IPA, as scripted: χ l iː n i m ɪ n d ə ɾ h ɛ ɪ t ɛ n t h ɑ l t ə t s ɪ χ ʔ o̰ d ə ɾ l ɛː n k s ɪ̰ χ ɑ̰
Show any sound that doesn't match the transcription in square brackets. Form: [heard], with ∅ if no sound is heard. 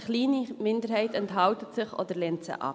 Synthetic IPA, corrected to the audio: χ l iː n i m ɪ n d ə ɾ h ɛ ɪ t ɛ n t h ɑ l t ə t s ɪ χ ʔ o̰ d ə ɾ l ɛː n [t] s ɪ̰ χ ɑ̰